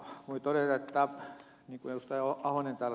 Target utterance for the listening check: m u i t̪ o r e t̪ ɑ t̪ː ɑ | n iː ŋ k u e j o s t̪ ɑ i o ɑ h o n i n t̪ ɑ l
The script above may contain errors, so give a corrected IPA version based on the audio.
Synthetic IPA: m u i t̪ o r e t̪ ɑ t̪ː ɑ | n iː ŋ k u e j u s t̪ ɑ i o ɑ h o n e n t̪ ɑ l